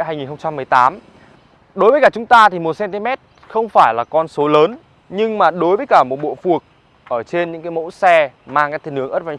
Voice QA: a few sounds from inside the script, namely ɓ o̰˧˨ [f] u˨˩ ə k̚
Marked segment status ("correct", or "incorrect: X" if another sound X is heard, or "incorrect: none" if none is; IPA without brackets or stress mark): correct